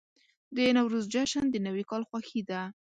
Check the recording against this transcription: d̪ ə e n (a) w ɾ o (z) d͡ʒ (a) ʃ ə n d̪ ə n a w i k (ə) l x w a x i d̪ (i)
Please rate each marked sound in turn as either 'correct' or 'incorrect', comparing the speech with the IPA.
correct, correct, correct, incorrect: ɑ, incorrect: a

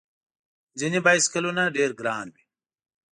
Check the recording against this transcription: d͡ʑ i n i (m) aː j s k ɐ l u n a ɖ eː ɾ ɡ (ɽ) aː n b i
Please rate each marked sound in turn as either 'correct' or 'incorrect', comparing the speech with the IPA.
incorrect: b, incorrect: ɾ

